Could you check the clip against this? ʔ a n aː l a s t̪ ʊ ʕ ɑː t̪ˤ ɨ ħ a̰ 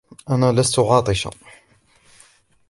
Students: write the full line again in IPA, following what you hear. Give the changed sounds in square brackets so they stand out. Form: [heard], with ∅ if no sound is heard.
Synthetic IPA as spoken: ʔ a n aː l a s t̪ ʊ ʕ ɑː t̪ˤ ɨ [ʃ] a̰